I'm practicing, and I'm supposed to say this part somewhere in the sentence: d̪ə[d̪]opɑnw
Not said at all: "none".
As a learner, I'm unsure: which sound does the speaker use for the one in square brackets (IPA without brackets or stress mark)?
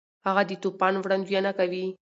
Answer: t̪